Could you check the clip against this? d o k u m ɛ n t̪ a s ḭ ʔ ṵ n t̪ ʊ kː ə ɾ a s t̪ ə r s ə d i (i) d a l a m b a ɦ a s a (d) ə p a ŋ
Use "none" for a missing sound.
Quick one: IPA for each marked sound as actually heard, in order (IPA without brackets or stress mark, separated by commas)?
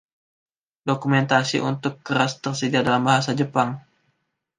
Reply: a, d͡ʒ